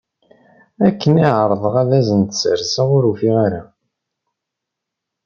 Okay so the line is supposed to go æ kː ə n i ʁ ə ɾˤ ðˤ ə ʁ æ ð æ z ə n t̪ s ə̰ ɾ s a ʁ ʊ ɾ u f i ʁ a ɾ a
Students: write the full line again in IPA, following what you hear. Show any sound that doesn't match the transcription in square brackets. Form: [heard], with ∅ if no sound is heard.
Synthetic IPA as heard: æ kː ə n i [ʕ] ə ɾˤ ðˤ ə ʁ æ ð æ z ə n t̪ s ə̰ ɾ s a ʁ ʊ ɾ u f i ʁ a ɾ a